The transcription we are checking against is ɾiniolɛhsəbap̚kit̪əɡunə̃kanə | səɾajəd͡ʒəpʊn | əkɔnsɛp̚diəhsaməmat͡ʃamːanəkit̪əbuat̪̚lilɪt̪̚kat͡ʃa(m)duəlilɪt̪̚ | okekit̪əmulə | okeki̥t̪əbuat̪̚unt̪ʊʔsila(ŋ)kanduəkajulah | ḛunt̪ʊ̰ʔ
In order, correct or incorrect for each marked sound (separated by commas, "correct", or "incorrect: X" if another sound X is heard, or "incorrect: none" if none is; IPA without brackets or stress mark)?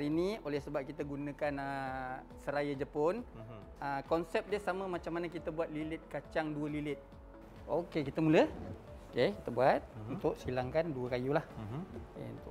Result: incorrect: ŋ, correct